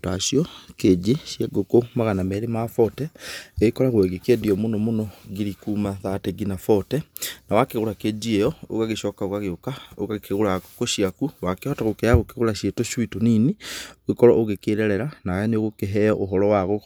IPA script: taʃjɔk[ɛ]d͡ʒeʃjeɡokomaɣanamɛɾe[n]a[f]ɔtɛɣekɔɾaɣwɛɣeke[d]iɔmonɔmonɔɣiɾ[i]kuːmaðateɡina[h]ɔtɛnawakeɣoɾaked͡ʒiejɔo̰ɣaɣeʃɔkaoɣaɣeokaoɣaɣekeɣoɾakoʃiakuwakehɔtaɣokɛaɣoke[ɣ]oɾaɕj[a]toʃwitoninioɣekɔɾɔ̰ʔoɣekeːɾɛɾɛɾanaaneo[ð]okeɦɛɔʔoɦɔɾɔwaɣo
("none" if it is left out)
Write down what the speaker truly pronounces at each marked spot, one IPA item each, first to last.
e, m, f, d, i, f, ɣ, e, ɣ

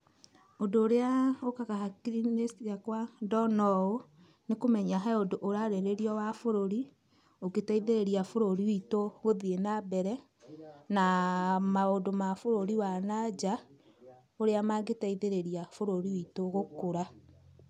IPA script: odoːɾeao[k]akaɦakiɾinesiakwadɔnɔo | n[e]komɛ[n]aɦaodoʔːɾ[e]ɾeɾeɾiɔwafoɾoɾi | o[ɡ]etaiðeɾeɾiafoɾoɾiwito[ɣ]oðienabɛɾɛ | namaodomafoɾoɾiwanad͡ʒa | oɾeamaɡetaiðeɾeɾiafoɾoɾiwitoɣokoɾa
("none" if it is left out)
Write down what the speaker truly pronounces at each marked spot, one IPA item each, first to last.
k, e, ɲ, a, ɡ, ɣ

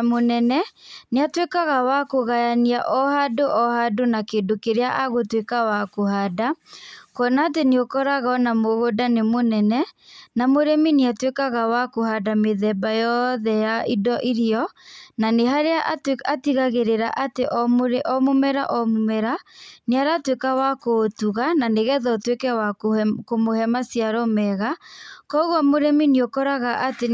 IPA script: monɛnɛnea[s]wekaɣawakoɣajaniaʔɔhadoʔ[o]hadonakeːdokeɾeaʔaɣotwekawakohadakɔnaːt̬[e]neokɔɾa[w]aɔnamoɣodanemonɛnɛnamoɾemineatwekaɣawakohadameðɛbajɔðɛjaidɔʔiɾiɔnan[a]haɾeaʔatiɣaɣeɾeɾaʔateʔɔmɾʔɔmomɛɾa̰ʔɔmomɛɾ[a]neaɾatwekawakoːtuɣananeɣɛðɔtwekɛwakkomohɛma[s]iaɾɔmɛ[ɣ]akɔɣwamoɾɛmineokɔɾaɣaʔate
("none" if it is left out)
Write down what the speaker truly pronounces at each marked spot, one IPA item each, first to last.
t, ɔ, e, ɣ, e, a, s, ɣ

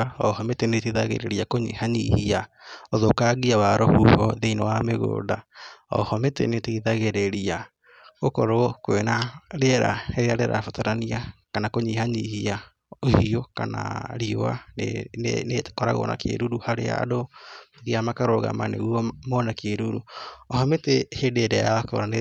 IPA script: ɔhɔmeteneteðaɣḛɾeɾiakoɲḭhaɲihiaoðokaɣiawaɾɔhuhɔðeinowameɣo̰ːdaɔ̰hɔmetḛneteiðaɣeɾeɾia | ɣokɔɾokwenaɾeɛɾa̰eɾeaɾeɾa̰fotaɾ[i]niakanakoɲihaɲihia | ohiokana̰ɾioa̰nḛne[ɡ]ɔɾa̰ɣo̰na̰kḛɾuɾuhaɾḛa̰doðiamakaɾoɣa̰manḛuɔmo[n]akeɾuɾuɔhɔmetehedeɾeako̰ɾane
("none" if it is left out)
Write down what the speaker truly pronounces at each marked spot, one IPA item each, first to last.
a, k, n

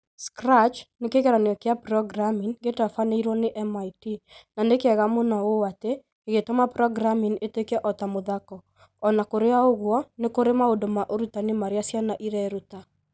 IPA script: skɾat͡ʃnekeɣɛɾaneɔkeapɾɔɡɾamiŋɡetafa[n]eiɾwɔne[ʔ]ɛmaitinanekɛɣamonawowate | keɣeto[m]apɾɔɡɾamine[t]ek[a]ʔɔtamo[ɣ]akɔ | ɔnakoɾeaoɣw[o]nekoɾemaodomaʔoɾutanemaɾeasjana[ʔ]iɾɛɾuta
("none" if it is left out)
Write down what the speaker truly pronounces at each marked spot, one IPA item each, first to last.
n, ʔ, m, t, ɛ, ð, ɔ, ʔ

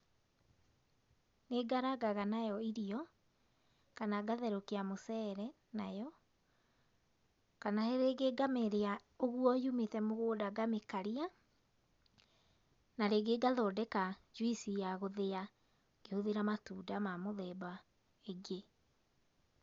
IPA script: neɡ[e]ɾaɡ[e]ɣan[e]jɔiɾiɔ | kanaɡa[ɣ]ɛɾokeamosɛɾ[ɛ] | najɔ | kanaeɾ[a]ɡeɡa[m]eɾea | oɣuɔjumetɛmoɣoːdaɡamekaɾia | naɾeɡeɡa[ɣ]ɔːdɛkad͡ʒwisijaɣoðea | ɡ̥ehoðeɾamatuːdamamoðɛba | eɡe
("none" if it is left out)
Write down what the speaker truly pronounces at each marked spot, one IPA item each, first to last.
a, a, a, ð, ɛ, e, m, ð

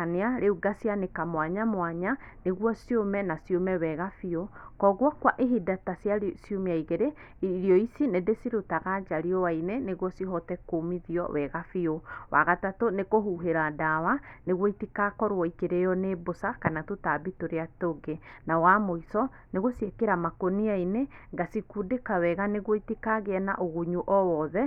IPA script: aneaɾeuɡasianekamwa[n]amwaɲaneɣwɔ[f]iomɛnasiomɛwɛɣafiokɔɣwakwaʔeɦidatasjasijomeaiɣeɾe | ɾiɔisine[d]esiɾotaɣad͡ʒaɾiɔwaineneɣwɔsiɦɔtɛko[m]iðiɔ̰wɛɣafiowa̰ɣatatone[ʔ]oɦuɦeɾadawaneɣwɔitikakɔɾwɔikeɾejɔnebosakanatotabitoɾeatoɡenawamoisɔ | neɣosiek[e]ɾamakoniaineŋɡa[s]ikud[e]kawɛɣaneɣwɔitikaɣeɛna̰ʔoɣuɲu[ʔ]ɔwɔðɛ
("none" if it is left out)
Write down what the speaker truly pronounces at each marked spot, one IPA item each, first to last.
ɲ, s, d, m, k, e, s, e, ʔ

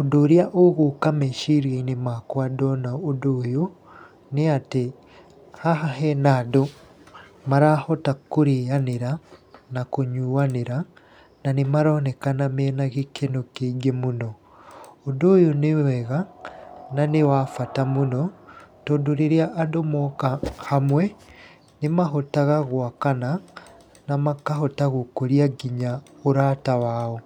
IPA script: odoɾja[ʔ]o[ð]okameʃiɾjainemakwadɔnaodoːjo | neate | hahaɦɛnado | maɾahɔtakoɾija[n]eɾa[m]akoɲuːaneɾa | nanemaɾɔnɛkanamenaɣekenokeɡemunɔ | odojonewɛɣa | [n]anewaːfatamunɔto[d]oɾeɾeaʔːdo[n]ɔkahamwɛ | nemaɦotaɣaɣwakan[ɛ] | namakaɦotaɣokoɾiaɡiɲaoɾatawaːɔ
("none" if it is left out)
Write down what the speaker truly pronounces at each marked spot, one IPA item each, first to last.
ʔ, ɣ, n, n, n, d, m, a

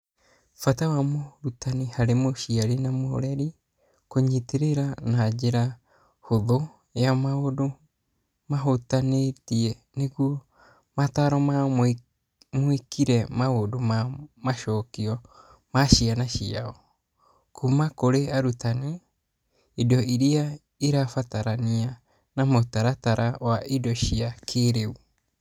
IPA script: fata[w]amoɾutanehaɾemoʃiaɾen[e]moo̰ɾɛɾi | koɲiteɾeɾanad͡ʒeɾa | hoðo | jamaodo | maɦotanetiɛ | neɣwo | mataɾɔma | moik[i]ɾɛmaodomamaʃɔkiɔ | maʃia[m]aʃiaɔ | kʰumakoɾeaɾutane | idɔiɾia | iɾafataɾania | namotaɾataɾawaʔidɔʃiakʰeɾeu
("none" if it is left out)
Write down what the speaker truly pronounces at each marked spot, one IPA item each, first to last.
w, a, i, n

